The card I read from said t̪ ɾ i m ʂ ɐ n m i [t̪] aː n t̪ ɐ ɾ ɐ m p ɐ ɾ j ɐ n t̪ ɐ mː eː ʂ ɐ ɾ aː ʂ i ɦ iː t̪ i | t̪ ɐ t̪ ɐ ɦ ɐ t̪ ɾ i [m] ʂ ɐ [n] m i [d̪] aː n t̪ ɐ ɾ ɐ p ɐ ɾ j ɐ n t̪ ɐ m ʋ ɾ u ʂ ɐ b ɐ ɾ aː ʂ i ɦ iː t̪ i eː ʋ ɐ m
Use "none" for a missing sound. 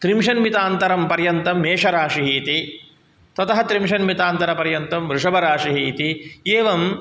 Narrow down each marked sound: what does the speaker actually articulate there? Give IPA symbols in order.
t̪, m, n, t̪

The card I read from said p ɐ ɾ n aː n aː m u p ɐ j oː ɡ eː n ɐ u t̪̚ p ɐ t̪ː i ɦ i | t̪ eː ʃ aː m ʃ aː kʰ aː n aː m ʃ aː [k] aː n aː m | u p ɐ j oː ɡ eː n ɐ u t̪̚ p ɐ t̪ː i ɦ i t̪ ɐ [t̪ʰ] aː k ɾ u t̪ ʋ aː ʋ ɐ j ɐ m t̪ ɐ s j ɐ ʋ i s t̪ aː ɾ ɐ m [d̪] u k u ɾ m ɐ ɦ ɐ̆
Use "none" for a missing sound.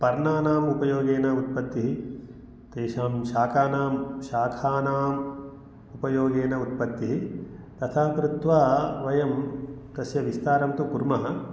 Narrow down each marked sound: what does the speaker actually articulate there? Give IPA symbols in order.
kʰ, t̪ʰ, t̪

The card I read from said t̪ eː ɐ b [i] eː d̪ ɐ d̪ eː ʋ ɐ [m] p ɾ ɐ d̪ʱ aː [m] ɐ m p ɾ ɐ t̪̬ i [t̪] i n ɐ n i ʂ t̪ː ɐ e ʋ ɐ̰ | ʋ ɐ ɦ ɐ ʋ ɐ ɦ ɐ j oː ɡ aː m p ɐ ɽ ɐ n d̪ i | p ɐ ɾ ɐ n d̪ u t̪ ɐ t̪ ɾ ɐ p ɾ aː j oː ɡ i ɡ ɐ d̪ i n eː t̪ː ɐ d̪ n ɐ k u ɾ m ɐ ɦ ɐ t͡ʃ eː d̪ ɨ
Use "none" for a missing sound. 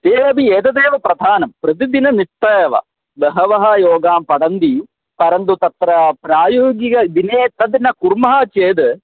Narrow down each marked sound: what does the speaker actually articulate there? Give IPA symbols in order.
i, none, n, d̪

